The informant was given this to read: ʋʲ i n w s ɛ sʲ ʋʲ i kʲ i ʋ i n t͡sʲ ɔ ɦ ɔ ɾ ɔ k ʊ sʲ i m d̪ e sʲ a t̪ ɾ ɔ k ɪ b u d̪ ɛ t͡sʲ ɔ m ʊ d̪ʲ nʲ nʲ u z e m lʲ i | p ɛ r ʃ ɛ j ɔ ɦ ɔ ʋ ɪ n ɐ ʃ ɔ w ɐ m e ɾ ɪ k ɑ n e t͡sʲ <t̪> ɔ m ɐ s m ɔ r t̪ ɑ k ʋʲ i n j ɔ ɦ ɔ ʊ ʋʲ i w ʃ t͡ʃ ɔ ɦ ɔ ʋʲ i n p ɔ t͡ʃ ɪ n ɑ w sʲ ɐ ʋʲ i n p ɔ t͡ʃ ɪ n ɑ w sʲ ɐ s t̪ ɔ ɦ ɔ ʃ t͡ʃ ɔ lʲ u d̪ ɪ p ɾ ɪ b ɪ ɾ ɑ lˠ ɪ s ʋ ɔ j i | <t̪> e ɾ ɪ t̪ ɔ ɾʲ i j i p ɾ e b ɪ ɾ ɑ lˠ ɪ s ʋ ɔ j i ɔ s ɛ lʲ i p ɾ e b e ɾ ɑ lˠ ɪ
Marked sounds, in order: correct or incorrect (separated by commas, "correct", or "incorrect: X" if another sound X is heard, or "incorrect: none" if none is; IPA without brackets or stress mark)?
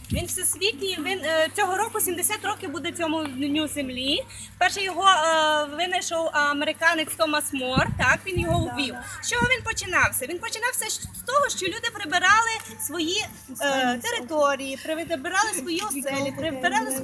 correct, correct